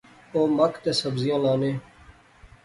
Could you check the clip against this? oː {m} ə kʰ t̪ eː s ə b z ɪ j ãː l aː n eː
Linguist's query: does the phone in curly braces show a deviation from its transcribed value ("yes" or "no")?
no